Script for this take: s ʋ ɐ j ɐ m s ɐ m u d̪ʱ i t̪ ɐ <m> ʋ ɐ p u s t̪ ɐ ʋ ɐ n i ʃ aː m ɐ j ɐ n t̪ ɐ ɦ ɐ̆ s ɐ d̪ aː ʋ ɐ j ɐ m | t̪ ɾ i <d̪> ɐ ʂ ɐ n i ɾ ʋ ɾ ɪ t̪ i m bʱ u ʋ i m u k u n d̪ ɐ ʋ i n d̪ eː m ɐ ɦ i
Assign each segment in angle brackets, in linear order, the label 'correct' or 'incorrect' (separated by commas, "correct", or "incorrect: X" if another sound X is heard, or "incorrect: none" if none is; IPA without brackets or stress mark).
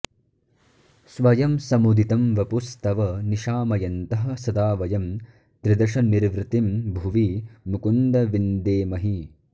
correct, correct